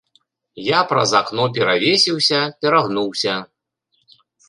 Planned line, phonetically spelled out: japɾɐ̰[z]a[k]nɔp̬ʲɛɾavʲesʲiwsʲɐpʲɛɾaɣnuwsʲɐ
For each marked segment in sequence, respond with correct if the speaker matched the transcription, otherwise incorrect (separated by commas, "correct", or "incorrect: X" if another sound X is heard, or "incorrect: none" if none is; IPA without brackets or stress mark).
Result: correct, correct